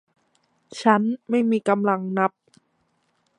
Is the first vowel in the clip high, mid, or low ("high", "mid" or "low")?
low